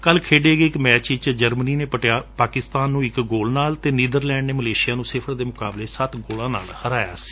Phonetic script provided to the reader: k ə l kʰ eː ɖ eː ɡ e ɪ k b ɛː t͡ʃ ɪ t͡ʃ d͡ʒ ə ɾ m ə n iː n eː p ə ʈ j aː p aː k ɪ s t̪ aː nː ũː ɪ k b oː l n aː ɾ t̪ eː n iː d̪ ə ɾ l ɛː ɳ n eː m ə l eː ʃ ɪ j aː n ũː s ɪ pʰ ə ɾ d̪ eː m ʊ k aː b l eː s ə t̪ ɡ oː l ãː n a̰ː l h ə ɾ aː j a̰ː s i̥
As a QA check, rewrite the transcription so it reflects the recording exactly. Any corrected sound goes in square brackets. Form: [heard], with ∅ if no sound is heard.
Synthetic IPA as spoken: k ə l kʰ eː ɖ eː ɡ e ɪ k [m] ɛː t͡ʃ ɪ t͡ʃ d͡ʒ ə ɾ m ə n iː n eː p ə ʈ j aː p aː k ɪ s t̪ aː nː ũː ɪ k [ɡ] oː l n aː [l] t̪ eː n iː d̪ ə ɾ l ɛː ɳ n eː m ə l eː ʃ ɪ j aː n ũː s ɪ pʰ ə ɾ d̪ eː m ʊ k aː b l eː s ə t̪ ɡ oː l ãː n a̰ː l h ə ɾ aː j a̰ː s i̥